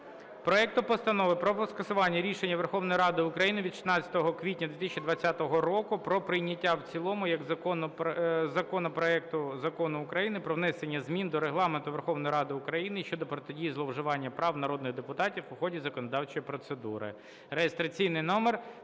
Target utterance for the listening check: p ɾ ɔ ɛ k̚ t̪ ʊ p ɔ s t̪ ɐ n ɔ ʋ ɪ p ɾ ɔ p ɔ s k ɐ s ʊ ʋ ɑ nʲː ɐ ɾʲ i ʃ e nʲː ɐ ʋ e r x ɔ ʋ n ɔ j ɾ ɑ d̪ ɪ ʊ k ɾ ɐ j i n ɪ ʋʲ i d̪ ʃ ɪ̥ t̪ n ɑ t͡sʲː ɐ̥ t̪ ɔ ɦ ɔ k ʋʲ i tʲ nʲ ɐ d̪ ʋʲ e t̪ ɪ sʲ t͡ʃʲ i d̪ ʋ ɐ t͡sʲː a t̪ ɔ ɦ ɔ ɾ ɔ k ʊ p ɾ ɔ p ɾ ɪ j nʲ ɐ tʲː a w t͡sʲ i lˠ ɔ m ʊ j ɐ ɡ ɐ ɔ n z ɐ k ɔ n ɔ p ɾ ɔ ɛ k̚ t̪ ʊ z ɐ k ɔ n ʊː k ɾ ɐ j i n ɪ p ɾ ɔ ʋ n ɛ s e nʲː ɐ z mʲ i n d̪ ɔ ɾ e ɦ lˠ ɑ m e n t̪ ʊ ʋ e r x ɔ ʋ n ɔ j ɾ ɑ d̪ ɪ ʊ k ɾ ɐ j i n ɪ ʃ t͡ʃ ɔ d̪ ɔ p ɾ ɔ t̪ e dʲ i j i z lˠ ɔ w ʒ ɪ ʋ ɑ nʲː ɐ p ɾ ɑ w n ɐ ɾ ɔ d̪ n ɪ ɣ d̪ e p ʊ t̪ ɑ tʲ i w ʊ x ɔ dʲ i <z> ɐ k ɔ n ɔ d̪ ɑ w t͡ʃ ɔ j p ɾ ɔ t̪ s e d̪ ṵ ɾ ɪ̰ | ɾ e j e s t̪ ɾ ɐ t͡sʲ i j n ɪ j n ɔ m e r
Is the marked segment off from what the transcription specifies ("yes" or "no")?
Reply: no